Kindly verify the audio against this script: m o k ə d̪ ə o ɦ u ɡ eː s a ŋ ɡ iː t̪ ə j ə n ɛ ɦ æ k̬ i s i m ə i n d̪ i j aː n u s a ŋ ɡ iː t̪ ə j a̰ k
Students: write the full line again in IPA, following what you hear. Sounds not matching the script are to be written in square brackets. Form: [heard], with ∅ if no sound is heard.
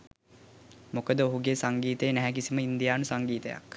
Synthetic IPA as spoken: m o k ə d̪ ə o ɦ u ɡ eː s a ŋ ɡ iː t̪ ə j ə n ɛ ɦ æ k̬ i s i m ə i n d̪ i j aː n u s a ŋ ɡ iː t̪ ə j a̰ k

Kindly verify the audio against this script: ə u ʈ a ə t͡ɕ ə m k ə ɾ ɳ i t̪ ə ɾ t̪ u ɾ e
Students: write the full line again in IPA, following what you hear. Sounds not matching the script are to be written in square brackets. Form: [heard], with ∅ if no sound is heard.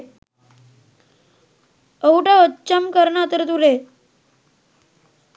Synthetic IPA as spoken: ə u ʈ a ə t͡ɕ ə m k ə ɾ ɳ [a] t̪ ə ɾ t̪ u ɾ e

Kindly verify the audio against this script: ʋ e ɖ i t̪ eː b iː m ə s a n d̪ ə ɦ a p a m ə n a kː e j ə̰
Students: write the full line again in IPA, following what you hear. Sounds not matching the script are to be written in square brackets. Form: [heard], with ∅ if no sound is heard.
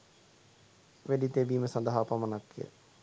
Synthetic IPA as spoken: ʋ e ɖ i t̪ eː b iː m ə s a n d̪ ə ɦ a p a m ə n a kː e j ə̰

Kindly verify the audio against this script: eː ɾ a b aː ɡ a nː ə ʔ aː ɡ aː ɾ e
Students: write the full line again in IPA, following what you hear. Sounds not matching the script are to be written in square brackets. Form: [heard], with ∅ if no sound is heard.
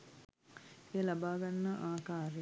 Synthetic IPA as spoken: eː [l] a b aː ɡ a nː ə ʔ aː [k] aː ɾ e

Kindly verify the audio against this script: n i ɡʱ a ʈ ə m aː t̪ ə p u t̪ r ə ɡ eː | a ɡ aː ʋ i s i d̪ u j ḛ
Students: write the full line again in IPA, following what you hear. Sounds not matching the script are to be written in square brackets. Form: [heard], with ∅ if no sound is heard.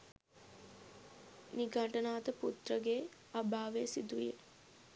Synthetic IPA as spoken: n i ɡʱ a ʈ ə [n] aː t̪ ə p u t̪ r ə ɡ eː | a [b] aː ʋ [e] s i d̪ u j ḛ

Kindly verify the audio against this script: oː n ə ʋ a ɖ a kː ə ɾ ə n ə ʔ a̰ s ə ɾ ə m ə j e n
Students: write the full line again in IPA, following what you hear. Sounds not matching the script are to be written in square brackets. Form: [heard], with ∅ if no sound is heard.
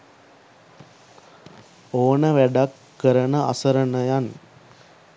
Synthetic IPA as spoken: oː n ə ʋ [æ] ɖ a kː ə ɾ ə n ə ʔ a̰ s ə ɾ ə [n] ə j [a] n

